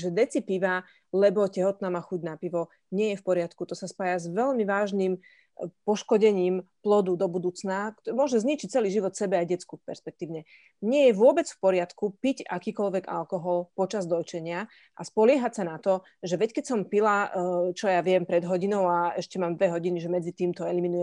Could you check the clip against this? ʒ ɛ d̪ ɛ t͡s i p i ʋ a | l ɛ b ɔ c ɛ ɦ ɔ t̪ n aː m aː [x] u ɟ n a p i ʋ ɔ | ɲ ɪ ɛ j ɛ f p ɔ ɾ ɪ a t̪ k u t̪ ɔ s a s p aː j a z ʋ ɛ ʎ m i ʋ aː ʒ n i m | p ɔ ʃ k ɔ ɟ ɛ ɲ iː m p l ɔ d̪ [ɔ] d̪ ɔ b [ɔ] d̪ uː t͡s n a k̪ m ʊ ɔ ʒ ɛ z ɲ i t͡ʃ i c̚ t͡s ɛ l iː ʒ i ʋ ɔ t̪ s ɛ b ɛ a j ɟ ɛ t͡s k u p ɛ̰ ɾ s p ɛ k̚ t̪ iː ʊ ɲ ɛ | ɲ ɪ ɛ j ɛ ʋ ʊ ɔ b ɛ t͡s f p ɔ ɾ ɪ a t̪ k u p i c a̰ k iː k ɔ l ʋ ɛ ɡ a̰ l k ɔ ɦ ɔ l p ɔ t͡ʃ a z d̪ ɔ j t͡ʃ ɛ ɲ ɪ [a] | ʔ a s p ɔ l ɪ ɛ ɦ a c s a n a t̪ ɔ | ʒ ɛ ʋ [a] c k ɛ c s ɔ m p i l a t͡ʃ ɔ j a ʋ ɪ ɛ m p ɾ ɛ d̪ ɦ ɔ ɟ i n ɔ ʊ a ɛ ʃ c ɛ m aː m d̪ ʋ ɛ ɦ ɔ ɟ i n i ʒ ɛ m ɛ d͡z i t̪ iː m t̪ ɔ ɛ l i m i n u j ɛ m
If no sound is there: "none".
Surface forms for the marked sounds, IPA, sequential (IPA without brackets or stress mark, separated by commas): x, u, u, a, ɛ